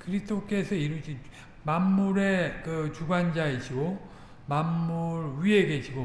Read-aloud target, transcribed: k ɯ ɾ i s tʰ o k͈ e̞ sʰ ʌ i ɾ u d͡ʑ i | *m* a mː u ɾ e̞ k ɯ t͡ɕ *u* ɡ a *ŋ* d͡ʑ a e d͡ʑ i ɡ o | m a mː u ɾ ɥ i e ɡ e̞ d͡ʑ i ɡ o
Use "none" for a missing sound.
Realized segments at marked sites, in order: m, u, n

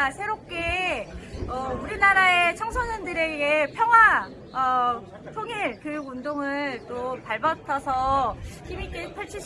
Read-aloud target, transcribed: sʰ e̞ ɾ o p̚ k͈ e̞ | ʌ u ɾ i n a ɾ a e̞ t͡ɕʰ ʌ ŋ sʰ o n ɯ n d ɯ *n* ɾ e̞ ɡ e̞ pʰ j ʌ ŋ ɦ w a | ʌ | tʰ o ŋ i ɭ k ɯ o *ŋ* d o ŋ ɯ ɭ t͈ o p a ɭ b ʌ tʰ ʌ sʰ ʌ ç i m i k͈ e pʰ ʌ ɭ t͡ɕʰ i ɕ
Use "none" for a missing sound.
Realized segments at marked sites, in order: none, n

